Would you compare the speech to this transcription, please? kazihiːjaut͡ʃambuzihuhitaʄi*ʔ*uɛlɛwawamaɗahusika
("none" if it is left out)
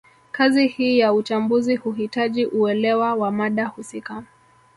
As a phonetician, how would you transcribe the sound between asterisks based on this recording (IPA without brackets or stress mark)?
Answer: ʔ